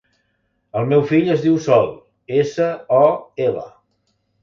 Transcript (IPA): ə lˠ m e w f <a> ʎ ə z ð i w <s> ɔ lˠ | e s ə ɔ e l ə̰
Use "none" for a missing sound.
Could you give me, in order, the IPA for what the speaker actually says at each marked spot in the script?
i, s

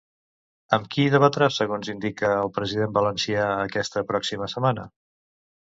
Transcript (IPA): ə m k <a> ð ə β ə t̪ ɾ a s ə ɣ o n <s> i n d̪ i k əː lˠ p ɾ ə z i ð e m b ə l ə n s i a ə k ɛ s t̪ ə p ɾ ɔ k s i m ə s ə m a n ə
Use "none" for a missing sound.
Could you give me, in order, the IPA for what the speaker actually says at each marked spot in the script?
i, z

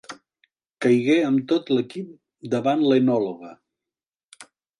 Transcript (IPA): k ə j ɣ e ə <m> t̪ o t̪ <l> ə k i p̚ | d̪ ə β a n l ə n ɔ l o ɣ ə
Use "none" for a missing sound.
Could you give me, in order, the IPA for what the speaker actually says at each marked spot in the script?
m, l

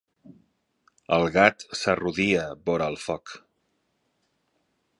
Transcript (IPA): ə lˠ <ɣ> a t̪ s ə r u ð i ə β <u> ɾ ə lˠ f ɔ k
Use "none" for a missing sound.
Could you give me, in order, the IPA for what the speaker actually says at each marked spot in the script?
ɣ, o

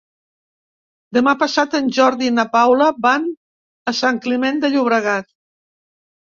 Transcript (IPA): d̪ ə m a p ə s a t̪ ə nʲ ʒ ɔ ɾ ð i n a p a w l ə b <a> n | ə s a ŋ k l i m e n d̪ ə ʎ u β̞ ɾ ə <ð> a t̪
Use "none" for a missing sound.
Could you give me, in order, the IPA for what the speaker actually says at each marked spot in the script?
a, ɣ

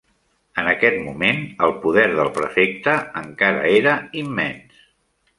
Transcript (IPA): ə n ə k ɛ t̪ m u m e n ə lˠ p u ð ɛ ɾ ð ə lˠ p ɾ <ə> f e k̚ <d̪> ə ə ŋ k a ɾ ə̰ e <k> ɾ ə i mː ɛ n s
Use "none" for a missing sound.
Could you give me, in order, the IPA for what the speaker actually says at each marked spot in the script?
ə, t̪, none

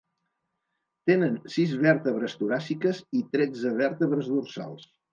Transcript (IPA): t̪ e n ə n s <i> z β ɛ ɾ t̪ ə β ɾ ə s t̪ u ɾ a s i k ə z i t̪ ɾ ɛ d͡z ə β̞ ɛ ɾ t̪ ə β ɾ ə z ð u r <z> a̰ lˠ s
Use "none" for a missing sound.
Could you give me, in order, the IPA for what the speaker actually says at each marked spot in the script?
i, s

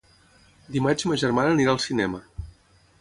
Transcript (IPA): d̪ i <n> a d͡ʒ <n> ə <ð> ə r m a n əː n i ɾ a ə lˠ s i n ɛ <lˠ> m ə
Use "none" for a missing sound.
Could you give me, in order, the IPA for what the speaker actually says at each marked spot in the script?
m, m, ʒ, none

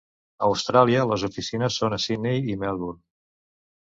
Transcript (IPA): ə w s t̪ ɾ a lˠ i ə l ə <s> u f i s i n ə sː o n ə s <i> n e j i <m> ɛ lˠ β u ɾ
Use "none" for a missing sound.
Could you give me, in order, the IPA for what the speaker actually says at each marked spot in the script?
z, i, m

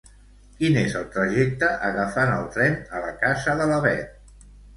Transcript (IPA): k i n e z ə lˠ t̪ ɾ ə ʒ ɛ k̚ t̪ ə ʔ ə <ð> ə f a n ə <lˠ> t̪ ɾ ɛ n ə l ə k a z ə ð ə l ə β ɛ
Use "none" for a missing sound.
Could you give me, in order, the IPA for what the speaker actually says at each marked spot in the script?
ɣ, lˠ

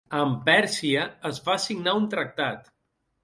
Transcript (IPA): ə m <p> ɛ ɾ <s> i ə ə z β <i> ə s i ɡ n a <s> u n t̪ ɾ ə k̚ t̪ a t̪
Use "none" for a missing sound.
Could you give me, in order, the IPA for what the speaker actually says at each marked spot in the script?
p, s, a, none

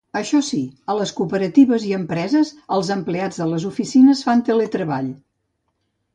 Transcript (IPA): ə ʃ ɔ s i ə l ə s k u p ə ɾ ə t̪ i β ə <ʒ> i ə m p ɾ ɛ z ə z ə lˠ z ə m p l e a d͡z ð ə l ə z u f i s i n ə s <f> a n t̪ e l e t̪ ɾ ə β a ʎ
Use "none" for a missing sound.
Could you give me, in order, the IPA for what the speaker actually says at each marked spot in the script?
z, f

